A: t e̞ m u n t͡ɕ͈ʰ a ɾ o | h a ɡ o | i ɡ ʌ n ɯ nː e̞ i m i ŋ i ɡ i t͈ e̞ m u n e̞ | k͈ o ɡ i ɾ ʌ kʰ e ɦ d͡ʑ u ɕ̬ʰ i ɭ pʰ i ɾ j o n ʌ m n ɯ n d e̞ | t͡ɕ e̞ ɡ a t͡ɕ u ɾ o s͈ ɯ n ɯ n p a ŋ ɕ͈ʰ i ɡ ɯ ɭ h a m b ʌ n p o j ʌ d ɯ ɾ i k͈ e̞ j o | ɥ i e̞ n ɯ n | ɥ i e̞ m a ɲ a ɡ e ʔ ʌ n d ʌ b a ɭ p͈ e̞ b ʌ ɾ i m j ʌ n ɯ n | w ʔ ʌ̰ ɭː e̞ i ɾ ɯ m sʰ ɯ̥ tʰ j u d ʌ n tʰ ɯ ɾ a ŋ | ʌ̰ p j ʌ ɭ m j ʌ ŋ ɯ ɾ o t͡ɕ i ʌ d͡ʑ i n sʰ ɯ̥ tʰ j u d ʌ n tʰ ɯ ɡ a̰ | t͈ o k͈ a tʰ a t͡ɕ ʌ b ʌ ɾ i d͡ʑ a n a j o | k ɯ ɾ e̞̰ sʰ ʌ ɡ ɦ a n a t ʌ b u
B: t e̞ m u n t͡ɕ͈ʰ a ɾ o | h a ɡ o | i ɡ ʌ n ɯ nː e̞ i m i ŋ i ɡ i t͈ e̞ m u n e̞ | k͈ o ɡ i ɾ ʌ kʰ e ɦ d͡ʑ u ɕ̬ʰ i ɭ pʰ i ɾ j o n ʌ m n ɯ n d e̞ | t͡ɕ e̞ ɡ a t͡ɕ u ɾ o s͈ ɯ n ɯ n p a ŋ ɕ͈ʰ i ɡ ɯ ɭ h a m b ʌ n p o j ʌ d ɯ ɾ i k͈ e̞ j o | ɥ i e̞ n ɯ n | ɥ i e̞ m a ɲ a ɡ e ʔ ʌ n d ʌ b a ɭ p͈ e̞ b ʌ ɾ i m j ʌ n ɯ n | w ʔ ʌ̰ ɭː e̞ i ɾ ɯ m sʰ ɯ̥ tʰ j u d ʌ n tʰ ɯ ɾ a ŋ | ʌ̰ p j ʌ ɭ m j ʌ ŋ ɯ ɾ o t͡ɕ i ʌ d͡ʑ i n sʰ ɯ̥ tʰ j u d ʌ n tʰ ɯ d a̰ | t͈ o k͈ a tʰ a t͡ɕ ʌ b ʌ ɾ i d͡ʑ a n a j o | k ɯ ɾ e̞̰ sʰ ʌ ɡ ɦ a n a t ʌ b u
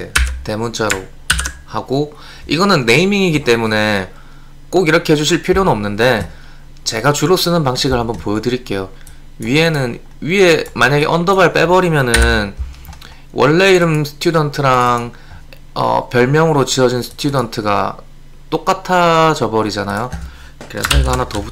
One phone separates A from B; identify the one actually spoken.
A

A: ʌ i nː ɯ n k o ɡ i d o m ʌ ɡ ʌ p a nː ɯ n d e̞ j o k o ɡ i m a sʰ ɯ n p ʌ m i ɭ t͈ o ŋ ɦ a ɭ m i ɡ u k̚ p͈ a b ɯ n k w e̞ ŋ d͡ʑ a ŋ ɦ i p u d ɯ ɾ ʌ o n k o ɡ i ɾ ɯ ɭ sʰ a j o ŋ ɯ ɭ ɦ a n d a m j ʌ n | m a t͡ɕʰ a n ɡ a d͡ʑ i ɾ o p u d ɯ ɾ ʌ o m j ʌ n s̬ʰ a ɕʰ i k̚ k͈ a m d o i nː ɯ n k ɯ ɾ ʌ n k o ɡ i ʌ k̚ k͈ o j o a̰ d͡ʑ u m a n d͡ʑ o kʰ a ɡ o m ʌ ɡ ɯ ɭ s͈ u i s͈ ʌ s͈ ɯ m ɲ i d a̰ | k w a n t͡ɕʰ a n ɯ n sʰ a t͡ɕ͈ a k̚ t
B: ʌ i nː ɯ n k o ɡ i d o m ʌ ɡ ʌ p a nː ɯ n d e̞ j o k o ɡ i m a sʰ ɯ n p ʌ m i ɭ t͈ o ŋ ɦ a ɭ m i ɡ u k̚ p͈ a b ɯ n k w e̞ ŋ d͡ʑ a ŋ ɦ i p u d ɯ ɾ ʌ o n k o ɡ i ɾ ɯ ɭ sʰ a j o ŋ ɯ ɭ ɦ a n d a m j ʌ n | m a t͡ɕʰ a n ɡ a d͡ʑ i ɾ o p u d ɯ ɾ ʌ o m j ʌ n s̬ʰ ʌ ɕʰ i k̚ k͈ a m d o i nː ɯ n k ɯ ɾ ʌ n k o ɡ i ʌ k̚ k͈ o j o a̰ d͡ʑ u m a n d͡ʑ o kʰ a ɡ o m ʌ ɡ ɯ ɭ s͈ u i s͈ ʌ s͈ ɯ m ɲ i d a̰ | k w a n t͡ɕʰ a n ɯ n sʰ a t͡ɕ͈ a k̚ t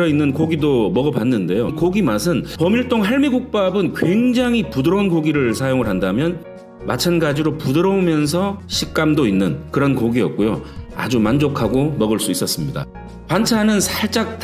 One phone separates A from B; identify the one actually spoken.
B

